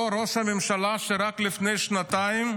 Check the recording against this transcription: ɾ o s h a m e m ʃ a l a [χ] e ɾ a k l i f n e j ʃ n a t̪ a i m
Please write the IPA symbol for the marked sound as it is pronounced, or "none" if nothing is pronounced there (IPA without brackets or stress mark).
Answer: ʃ